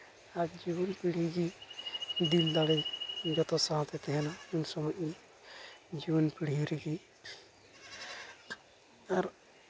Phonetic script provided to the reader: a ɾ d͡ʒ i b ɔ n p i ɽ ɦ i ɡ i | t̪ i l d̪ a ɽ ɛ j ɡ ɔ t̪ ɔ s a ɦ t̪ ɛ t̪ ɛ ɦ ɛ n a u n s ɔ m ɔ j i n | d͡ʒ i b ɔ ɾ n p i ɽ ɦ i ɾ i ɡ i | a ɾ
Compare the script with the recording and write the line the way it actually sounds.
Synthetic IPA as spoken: a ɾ d͡ʒ i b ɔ n p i ɽ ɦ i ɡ i | d̪ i l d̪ a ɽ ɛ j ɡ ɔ t̪ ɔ s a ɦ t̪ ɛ t̪ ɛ ɦ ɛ n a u n s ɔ m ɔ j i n | d͡ʒ i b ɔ n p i ɽ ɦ i ɾ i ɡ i | a ɾ